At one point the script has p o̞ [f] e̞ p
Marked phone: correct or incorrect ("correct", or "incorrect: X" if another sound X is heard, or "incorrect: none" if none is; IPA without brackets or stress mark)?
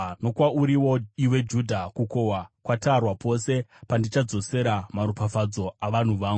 incorrect: s